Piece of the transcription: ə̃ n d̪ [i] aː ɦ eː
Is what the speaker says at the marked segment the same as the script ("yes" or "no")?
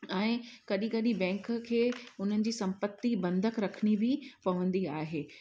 yes